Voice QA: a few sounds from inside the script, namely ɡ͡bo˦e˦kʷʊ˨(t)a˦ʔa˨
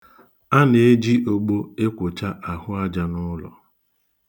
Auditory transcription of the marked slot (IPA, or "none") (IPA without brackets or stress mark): t͡ʃ